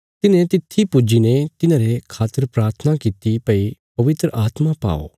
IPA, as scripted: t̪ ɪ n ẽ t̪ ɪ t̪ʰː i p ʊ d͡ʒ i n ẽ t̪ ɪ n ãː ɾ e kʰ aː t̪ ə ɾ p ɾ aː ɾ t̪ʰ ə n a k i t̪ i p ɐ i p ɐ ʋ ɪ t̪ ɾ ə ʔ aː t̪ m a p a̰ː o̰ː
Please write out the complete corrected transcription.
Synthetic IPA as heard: t̪ ɪ n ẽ t̪ ɪ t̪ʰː i p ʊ d͡ʒ i n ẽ t̪ ɪ n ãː ɾ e kʰ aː t̪ ə ɾ p ɾ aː ɾ t̪ʰ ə n a k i t̪ i p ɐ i p ɐ ʋ ɪ t̪ ɾ ə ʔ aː t̪ m a p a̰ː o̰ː